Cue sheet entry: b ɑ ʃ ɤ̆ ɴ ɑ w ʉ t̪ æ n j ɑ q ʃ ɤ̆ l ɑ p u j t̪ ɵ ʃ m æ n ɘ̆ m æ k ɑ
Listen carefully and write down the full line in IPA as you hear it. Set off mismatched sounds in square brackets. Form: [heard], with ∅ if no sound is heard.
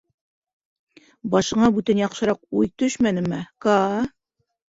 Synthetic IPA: b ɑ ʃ ɤ̆ ɴ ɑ [b] ʉ t̪ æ n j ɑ q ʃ ɤ̆ [ɾ] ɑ [q] u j t̪ ɵ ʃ m æ n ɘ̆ m æ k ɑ